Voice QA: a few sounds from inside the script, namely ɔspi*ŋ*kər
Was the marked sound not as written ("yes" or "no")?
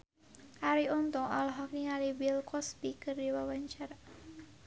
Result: yes